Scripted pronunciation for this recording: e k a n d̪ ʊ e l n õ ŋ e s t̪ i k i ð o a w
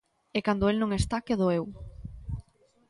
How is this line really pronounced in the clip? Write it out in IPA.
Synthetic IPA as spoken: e k a n d̪ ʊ e l n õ ŋ e s t̪ a k e ð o e w